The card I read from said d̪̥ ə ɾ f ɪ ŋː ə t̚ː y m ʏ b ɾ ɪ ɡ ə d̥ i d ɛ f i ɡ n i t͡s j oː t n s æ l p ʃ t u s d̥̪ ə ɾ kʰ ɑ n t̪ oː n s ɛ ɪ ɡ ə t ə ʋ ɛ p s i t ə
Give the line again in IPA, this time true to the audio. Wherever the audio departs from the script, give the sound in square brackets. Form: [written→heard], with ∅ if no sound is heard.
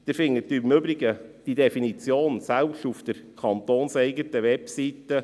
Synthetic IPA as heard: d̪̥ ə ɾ f ɪ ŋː ə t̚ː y m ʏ b ɾ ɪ ɡ ə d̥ i d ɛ f i [ɡ→∅] n i t͡s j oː [t→∅] n s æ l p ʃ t u [s→f] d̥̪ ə ɾ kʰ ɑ n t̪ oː n s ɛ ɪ ɡ ə t ə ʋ ɛ p s i t ə